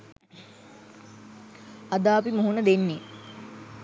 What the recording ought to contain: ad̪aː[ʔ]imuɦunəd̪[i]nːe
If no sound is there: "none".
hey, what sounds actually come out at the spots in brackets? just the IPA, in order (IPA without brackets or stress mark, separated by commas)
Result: p, e